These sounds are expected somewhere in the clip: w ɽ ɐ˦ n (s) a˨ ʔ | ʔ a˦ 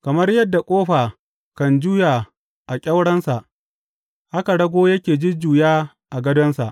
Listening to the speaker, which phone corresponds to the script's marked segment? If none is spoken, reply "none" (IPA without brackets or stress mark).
s